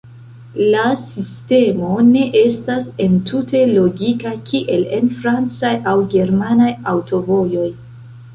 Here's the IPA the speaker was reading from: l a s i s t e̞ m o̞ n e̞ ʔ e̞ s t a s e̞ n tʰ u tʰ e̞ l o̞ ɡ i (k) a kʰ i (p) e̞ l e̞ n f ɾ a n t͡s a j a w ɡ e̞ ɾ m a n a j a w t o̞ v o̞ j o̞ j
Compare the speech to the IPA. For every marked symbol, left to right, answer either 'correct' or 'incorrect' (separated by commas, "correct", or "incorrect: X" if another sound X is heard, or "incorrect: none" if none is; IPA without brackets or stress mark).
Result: correct, incorrect: ʔ